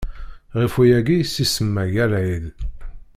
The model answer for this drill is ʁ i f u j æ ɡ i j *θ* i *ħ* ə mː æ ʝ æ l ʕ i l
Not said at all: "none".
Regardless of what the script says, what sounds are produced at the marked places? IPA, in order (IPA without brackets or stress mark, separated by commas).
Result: s, s